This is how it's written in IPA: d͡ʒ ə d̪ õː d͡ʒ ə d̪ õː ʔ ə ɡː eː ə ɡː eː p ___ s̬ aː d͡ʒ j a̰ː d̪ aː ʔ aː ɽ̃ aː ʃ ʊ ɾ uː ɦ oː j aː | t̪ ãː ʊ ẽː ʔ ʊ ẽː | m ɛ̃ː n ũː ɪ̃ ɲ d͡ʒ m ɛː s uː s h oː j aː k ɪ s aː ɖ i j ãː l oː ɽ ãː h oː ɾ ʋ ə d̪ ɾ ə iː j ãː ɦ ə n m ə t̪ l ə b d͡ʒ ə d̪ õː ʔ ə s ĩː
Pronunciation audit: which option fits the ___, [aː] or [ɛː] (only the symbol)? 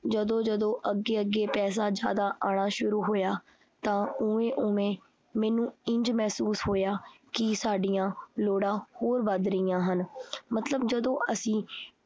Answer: ɛː